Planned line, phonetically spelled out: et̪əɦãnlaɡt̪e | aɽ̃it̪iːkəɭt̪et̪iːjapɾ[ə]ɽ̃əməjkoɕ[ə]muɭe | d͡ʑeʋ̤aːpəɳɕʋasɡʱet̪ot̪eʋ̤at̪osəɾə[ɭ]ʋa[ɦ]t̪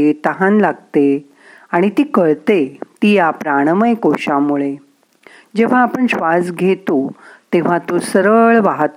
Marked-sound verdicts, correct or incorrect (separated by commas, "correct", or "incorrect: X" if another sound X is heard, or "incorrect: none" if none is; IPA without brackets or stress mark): incorrect: a, incorrect: a, correct, correct